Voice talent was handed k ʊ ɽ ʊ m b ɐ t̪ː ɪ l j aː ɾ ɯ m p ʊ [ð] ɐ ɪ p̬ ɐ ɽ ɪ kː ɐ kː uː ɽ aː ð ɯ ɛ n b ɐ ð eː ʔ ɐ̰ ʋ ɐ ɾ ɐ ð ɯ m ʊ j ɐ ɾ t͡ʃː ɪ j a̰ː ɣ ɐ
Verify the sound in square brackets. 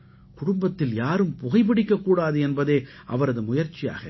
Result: incorrect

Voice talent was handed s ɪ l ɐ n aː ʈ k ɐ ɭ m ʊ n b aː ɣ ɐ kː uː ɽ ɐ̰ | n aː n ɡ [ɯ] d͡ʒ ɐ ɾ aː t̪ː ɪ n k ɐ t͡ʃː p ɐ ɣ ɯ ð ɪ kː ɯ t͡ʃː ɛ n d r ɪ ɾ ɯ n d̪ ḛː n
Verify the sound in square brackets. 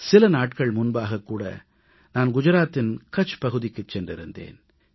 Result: incorrect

